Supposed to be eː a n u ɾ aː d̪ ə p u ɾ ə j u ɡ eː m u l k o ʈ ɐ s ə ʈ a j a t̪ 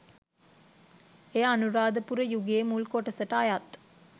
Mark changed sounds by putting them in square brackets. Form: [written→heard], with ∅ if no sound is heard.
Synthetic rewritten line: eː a n u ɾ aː d̪ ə p u ɾ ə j u ɡ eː m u l k o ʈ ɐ s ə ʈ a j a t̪

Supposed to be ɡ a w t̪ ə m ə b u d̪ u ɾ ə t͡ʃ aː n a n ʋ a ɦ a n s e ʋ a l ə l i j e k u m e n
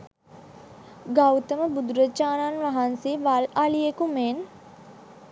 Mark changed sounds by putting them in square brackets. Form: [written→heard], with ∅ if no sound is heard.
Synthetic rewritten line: ɡ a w t̪ ə m ə b u d̪ u ɾ ə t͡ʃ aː n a n ʋ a ɦ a n s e ʋ a l [ə→a] l i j e k u m e n

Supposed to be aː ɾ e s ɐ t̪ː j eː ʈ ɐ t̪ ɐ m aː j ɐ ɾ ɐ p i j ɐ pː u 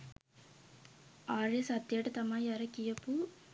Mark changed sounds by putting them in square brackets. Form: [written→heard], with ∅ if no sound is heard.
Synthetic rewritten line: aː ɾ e s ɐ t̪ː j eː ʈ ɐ t̪ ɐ m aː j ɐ ɾ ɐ [p→k] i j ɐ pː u

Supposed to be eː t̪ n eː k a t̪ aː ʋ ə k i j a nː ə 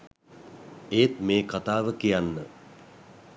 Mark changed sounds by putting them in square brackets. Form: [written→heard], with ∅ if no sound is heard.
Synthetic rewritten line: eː t̪ [n→m] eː k a t̪ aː ʋ ə k i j a nː ə

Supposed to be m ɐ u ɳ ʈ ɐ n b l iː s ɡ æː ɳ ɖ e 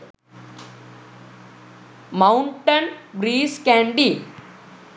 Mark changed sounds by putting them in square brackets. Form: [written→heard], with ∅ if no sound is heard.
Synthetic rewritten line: m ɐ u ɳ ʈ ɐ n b [l→ɾ] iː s [ɡ→k] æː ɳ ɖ [e→i]

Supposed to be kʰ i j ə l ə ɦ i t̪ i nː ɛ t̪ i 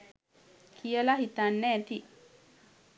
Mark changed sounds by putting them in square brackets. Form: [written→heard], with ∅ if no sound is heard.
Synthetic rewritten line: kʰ i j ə l [ə→a] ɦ i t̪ [i→a] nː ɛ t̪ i

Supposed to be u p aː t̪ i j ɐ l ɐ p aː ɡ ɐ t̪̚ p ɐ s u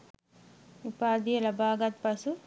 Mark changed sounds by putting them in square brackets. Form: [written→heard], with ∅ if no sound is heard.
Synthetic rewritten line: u p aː [t̪→d̪] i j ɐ l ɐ [p→b] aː ɡ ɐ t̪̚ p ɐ s u

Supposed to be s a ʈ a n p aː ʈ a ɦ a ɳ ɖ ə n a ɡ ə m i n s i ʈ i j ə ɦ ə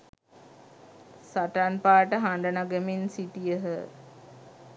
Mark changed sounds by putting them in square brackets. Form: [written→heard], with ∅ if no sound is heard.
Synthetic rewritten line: s a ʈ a n p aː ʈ [a→ə] ɦ a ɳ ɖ ə n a ɡ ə m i n s i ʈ i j ə ɦ ə

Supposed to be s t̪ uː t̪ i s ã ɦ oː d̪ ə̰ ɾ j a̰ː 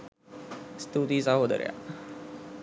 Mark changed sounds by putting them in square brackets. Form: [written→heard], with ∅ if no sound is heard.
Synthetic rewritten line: s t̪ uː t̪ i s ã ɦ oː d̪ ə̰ ɾ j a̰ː

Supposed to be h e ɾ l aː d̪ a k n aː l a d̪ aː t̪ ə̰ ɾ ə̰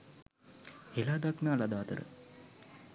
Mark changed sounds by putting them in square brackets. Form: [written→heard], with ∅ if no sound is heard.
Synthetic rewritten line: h e [ɾ→∅] l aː d̪ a k n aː l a d̪ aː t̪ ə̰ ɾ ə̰

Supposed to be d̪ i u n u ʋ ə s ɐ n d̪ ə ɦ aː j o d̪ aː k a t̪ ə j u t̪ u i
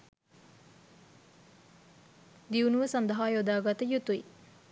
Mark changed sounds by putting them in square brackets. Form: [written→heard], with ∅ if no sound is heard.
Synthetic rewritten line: d̪ i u n u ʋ ə s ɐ n d̪ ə ɦ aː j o d̪ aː [k→ɡ] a t̪ ə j u t̪ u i

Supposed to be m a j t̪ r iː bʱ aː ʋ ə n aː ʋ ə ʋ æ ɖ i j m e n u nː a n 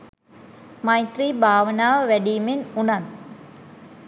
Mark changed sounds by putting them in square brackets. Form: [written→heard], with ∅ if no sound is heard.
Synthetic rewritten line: m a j t̪ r iː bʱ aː ʋ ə n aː ʋ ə ʋ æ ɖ i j m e n u [nː→n] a n

